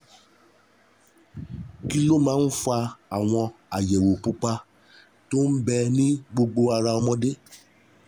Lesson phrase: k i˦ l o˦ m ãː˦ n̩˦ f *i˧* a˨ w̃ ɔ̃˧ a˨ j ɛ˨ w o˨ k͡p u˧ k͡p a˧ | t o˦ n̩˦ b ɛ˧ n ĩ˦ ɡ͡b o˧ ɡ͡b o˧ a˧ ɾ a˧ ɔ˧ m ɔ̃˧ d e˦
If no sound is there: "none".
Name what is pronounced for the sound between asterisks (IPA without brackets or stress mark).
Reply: a˧